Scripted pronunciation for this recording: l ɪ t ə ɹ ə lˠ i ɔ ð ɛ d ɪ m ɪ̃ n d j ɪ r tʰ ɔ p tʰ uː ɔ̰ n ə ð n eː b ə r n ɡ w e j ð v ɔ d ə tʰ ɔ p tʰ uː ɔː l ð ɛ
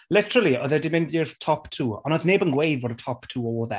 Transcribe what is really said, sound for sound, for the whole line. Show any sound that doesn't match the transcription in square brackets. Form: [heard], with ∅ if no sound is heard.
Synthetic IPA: l ɪ t ə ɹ ə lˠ i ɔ ð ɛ d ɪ m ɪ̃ n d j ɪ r tʰ ɔ p tʰ uː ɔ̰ n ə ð n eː b ə [∅] n ɡ w e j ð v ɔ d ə tʰ ɔ p tʰ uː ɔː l ð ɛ